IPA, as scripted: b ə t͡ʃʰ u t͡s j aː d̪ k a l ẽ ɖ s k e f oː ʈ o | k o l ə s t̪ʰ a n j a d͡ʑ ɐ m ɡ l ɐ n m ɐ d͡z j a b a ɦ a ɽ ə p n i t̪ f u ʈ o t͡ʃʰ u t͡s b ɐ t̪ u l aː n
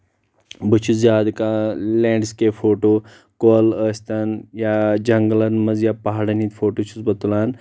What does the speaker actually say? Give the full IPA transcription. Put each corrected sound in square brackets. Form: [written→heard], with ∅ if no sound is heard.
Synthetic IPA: b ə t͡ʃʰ u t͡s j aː d̪ k a l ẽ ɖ s k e f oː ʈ o | k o l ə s [t̪ʰ→t̪] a n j a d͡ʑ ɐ [m→ŋ] ɡ l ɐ n m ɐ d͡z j a [b→p] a ɦ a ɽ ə [p→∅] n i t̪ f [u→o] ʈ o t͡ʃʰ u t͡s b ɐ t̪ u l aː n